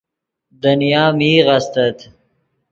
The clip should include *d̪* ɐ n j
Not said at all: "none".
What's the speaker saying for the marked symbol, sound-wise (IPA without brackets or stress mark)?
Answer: d̪